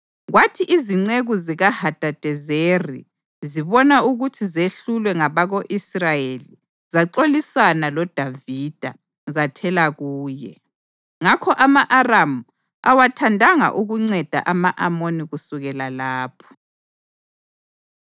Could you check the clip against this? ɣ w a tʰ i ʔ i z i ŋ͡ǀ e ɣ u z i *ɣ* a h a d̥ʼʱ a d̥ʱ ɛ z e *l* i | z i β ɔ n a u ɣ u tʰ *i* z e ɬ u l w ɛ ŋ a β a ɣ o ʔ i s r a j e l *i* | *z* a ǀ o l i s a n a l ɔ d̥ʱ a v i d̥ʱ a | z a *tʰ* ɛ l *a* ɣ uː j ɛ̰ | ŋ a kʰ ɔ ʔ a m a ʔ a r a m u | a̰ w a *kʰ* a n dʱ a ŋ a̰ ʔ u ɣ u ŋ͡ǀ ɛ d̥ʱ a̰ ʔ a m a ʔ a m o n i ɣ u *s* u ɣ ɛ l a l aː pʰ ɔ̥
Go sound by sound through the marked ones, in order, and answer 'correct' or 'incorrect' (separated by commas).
correct, incorrect, correct, correct, correct, correct, correct, incorrect, correct